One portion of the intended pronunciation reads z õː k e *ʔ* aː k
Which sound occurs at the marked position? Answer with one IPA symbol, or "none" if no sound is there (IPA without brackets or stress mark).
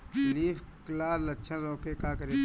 k